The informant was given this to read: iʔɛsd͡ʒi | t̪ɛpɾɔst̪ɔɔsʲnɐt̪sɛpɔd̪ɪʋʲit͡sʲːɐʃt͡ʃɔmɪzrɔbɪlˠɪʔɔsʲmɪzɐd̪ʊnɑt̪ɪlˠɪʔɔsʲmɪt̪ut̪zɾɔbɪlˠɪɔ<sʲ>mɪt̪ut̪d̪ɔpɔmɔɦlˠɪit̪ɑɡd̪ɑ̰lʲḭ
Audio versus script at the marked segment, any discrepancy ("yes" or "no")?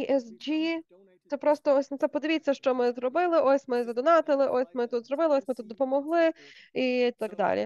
no